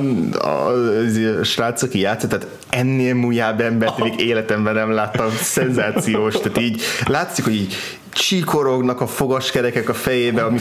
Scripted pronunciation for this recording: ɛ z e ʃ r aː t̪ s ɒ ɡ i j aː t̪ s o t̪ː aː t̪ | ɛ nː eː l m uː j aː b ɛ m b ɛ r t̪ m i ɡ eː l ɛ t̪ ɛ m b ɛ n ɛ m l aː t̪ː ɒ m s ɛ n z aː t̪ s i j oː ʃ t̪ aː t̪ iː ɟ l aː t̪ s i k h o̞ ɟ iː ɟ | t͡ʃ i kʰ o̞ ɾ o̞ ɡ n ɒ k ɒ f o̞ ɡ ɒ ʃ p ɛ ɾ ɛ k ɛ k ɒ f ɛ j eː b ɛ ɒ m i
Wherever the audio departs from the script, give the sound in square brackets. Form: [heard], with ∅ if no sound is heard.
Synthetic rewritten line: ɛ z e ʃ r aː t̪ s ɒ [k] i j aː t̪ s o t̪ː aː t̪ | ɛ nː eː l m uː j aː b ɛ m b ɛ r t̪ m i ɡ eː l ɛ t̪ ɛ m b ɛ n ɛ m l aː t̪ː ɒ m s ɛ n z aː t̪ s i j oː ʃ t̪ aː t̪ iː ɟ l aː t̪ s i k h o̞ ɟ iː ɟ | t͡ʃ i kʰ o̞ ɾ o̞ ɡ n ɒ k ɒ f o̞ ɡ ɒ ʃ [k] ɛ ɾ ɛ k ɛ k ɒ f ɛ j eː b ɛ ɒ m i